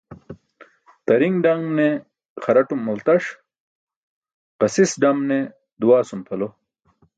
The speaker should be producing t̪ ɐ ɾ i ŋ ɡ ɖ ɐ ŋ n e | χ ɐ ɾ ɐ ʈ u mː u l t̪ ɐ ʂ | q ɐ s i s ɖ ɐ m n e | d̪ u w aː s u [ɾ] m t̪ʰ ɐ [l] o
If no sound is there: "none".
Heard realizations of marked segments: none, l

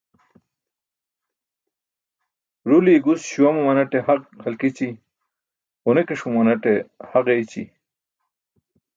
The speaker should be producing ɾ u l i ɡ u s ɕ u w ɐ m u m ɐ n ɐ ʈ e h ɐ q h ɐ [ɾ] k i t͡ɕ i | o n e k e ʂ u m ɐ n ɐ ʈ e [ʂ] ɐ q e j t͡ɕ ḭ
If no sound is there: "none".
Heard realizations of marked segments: l, h

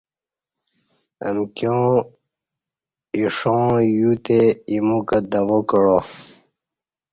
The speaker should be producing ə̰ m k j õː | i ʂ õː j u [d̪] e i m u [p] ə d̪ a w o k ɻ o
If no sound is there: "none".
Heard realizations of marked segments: t̪, k

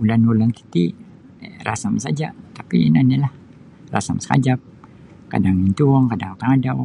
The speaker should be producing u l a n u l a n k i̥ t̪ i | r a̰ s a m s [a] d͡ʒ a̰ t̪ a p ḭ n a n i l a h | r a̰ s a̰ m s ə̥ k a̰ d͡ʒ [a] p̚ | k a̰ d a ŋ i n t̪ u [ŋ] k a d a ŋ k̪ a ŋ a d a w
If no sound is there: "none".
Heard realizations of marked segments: a, a, ŋ

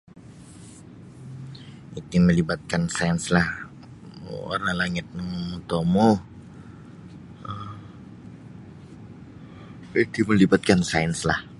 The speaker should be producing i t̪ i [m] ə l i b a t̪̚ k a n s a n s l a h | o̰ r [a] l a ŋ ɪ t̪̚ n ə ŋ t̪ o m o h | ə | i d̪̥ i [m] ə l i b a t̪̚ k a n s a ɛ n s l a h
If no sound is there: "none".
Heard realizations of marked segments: m, a, m

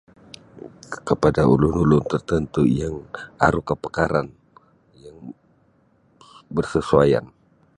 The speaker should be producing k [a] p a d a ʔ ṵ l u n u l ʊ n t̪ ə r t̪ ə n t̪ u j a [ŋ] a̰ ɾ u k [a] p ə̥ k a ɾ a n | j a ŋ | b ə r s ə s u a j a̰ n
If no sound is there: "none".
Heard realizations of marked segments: ə, ŋ, ə

